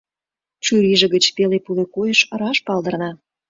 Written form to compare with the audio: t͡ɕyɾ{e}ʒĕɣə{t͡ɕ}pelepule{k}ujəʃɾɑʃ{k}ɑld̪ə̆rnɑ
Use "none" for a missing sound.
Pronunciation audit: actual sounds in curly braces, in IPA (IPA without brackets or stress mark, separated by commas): i, t͡ɕ, k, p